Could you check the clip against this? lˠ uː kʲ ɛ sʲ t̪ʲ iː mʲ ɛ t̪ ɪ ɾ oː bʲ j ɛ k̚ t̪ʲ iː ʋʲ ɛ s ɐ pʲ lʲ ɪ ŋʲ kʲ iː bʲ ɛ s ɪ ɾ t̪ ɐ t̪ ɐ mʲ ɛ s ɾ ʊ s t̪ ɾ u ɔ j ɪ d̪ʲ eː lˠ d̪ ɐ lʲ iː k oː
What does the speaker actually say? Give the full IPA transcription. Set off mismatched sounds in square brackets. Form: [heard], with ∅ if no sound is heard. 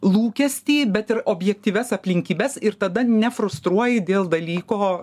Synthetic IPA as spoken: lˠ uː kʲ ɛ sʲ t̪ʲ iː [bʲ] ɛ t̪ ɪ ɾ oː bʲ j ɛ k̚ t̪ʲ iː ʋʲ ɛ s ɐ pʲ lʲ ɪ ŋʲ kʲ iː bʲ ɛ s ɪ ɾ t̪ ɐ [d̪] ɐ [nʲ] ɛ [f] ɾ ʊ s t̪ ɾ u ɔ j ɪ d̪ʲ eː lˠ d̪ ɐ lʲ iː k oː

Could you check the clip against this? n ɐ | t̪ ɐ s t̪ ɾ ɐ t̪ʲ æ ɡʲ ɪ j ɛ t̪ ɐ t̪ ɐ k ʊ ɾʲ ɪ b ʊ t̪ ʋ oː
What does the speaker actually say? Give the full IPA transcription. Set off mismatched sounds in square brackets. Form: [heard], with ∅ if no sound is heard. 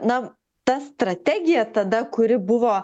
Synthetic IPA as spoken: n ɐ | t̪ ɐ s t̪ ɾ ɐ t̪ʲ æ ɡʲ ɪ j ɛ t̪ ɐ [d̪] ɐ k ʊ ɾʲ ɪ b ʊ [∅] ʋ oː

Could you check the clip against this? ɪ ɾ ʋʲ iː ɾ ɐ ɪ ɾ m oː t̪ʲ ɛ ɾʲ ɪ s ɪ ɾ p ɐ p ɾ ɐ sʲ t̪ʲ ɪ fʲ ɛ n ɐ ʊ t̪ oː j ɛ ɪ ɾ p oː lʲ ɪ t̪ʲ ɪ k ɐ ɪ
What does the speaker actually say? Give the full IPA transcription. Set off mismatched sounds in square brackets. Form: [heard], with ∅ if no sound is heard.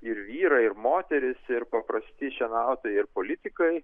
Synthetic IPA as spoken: ɪ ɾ ʋʲ iː ɾ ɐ ɪ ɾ m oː t̪ʲ ɛ ɾʲ ɪ s ɪ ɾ p ɐ p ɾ ɐ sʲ t̪ʲ ɪ [ʃʲ] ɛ n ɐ ʊ t̪ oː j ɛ ɪ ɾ p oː lʲ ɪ t̪ʲ ɪ k ɐ ɪ

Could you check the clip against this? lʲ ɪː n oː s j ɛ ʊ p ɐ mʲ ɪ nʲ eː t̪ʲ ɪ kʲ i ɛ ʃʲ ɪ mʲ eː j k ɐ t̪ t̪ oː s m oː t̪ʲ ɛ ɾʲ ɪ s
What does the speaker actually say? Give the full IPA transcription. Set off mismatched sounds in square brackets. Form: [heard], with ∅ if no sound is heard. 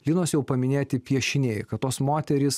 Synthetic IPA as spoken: lʲ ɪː n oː s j ɛ ʊ p ɐ mʲ ɪ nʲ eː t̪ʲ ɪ [pʲ] i ɛ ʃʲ ɪ [nʲ] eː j k ɐ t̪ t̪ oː s m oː t̪ʲ ɛ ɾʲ ɪ s

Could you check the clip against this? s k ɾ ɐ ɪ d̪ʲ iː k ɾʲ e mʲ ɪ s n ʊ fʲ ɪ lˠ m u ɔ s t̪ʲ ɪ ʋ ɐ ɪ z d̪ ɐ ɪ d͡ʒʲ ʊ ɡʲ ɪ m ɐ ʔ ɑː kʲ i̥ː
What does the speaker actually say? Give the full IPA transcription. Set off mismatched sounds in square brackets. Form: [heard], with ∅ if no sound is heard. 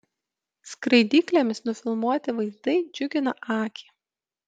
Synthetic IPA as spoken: s k ɾ ɐ ɪ d̪ʲ iː k [lʲ] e mʲ ɪ s n ʊ fʲ ɪ lˠ m u ɔ [∅] t̪ʲ ɪ ʋ ɐ ɪ z d̪ ɐ ɪ d͡ʒʲ ʊ ɡʲ ɪ [n] ɐ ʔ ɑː kʲ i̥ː

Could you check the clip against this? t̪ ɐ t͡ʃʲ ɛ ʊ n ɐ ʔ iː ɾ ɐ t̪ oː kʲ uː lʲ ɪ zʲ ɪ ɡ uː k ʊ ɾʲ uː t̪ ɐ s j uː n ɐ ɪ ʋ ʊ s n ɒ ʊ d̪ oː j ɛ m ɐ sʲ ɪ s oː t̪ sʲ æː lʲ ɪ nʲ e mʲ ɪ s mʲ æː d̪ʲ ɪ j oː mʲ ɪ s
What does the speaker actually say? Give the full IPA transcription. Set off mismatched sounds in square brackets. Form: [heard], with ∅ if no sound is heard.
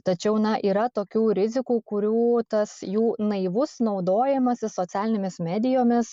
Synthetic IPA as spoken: t̪ ɐ t͡ʃʲ ɛ ʊ n ɐ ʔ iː ɾ ɐ t̪ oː kʲ uː [ɾʲ] ɪ zʲ ɪ [k] uː k ʊ ɾʲ uː t̪ ɐ s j uː n ɐ ɪ ʋ ʊ s n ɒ ʊ d̪ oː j ɛ m ɐ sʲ ɪ s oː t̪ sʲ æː lʲ ɪ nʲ e mʲ ɪ s mʲ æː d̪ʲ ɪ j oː mʲ ɪ s

